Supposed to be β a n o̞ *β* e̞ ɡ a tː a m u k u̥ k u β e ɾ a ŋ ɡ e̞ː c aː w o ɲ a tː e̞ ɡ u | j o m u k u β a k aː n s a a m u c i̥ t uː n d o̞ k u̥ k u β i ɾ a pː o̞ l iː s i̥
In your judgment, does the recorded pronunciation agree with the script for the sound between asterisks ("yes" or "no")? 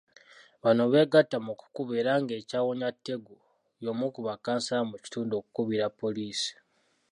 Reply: yes